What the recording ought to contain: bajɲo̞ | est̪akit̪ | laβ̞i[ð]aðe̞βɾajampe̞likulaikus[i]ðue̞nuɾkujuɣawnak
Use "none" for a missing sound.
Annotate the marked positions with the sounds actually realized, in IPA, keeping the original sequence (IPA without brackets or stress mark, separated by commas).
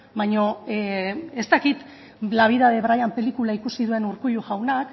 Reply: ð, i